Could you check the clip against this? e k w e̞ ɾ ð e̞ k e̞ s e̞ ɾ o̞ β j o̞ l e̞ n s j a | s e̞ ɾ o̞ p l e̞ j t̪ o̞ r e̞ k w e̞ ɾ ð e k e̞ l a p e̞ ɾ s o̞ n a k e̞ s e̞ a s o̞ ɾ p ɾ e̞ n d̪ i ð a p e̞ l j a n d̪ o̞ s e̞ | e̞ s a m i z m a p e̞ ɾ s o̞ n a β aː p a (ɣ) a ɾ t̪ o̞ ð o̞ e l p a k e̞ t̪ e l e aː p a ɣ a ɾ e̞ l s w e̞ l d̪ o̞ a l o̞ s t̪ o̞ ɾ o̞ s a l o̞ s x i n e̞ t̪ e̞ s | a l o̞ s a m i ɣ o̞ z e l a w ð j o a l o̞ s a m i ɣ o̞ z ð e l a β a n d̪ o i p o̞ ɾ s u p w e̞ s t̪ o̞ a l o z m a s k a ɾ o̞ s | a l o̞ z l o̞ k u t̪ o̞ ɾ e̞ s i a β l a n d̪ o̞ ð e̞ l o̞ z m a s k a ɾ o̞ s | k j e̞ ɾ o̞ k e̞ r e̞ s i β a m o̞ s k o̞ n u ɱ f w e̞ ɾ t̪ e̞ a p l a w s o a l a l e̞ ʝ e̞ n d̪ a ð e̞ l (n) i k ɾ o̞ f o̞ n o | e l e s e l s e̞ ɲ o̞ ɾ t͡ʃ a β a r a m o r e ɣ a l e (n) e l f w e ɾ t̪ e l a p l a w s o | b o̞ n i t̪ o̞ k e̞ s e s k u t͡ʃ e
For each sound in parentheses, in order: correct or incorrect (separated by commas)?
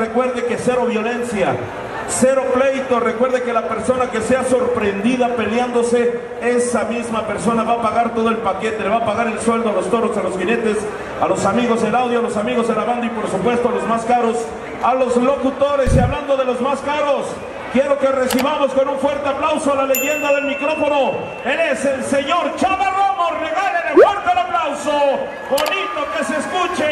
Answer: correct, incorrect, correct